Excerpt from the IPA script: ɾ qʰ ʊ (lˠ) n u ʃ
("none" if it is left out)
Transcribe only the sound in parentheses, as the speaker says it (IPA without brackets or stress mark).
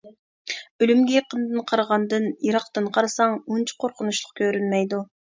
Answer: none